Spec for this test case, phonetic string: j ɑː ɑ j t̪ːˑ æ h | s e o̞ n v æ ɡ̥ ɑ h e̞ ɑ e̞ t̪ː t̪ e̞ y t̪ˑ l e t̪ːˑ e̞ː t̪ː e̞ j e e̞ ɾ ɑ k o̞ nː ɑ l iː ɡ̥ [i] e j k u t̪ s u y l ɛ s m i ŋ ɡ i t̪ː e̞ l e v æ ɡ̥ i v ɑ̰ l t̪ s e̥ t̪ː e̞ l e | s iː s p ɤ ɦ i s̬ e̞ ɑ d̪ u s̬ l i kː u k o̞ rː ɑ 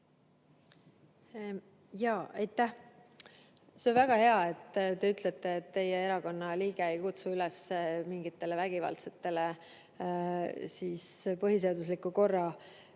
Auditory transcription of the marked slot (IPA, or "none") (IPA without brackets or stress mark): e